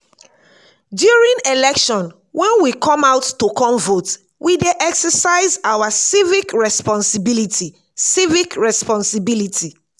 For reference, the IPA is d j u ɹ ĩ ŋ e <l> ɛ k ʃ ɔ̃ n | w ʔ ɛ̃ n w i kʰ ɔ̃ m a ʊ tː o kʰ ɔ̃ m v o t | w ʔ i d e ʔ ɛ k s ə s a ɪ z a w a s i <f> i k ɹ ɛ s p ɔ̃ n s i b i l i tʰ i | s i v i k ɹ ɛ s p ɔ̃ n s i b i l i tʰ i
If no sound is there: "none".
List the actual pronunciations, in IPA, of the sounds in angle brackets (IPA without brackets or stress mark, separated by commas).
l, v